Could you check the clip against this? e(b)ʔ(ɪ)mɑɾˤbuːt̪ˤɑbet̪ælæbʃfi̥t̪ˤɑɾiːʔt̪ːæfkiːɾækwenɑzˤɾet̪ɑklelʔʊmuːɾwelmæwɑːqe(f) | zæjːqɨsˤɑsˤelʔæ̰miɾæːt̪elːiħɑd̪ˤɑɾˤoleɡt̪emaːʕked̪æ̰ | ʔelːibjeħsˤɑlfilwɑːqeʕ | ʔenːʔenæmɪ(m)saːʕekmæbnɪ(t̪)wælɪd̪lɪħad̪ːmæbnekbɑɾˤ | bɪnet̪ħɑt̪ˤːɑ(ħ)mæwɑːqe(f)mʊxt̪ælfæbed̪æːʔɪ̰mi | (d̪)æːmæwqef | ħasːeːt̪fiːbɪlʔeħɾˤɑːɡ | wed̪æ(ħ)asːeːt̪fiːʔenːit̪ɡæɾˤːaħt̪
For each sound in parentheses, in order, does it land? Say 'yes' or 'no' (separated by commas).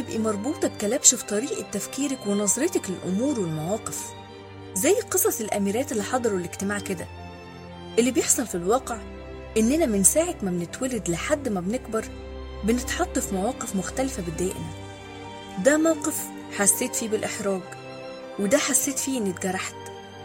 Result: yes, no, yes, no, yes, no, yes, yes, yes